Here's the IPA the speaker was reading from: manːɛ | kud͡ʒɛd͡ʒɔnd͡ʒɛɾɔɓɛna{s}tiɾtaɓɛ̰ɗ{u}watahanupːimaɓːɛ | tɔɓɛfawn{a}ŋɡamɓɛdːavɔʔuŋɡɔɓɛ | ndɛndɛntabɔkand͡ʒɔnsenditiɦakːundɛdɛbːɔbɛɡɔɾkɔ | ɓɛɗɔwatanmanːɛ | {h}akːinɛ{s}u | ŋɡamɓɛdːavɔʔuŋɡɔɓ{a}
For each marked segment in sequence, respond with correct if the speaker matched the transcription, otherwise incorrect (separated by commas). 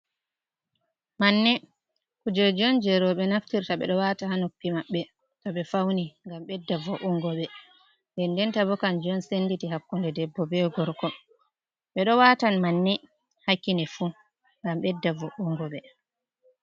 incorrect, incorrect, incorrect, correct, incorrect, incorrect